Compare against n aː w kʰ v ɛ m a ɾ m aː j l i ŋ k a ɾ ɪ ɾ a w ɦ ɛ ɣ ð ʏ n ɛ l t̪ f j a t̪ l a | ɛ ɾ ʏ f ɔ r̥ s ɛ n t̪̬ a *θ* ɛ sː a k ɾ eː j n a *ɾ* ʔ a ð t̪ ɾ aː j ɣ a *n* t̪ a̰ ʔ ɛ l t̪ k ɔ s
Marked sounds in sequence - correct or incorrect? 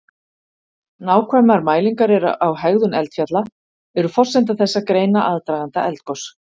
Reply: correct, incorrect: none, correct

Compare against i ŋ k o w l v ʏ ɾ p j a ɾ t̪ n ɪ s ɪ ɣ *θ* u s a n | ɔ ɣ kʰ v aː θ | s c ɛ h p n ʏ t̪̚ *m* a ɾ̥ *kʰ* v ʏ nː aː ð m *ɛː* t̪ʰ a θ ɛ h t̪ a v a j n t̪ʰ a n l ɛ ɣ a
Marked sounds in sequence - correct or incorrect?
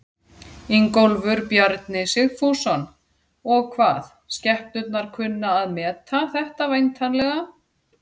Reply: incorrect: f, incorrect: n, correct, correct

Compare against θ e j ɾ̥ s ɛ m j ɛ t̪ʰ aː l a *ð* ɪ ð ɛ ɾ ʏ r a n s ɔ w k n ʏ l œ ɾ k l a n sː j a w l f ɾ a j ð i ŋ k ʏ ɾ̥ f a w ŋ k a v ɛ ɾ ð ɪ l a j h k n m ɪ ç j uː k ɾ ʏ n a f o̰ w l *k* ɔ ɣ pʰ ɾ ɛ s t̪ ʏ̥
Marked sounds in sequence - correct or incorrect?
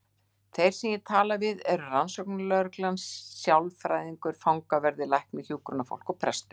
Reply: incorrect: v, correct

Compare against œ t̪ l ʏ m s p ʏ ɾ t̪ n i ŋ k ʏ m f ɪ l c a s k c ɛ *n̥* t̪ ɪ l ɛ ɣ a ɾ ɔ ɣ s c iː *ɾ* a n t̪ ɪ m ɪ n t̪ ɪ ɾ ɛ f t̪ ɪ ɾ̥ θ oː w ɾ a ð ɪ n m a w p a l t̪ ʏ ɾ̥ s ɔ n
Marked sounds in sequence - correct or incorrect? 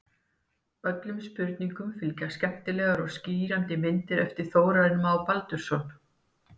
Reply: incorrect: m̥, correct

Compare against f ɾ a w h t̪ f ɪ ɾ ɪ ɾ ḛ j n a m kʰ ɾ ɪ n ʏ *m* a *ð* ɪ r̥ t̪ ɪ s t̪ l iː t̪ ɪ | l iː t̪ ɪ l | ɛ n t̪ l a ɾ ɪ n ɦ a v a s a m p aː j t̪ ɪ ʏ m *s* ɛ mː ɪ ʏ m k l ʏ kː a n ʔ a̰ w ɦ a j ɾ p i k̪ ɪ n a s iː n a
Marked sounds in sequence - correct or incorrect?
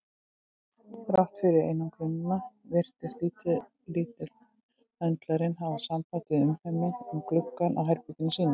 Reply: incorrect: n, incorrect: v, incorrect: h

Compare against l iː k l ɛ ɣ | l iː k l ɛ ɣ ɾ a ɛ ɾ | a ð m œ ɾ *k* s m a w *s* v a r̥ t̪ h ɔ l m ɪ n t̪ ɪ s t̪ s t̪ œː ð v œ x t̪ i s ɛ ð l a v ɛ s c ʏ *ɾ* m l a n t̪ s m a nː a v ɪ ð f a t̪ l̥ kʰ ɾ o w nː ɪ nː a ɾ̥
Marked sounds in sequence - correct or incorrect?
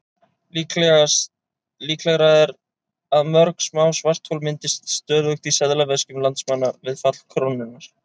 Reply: correct, correct, incorrect: none

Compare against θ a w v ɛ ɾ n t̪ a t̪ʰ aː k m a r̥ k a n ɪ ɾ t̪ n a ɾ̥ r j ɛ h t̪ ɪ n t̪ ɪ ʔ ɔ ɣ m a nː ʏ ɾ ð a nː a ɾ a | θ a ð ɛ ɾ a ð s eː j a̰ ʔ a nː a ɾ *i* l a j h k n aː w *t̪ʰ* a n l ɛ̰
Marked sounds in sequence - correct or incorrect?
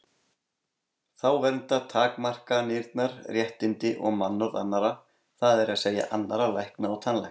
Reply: incorrect: a, correct

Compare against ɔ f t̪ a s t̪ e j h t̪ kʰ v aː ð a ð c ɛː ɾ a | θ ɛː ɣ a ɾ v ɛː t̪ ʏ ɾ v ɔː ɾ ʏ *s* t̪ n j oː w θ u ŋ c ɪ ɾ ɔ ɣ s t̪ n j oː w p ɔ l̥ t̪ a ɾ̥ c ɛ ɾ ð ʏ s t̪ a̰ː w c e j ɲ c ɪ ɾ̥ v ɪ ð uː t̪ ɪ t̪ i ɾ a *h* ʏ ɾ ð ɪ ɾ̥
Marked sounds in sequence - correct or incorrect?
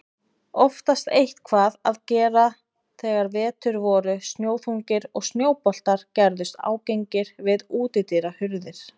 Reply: correct, correct

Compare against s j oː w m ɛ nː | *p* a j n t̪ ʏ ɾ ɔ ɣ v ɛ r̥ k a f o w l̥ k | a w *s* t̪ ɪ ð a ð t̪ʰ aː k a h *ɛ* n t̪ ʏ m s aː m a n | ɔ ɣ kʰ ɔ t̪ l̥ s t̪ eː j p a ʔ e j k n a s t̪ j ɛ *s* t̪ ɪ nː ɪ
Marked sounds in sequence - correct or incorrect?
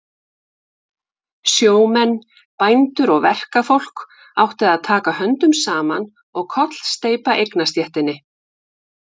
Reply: correct, incorrect: h, incorrect: œ, incorrect: h

